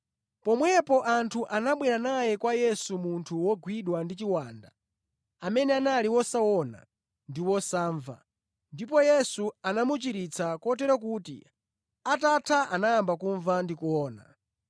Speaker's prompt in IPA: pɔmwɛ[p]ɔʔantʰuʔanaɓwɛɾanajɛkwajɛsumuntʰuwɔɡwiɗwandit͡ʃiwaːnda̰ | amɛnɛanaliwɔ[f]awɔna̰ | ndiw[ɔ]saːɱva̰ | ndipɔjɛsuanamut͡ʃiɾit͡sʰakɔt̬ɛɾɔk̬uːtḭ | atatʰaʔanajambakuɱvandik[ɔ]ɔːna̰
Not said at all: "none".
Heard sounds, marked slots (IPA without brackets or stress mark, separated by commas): p, s, ɔ, u